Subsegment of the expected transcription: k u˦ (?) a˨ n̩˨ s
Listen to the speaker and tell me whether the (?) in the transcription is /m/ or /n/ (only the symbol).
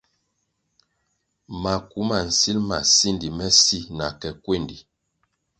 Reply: m